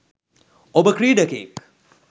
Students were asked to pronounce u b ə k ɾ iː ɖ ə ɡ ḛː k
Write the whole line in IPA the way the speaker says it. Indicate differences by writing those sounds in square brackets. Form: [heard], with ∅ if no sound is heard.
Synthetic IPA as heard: [o] b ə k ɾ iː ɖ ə [k] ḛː k